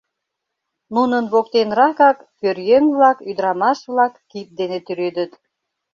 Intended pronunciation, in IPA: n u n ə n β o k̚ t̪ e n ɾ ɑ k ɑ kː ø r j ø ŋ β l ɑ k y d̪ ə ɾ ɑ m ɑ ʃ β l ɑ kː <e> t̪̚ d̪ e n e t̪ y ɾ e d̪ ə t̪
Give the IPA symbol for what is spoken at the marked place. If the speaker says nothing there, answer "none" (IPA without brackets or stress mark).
i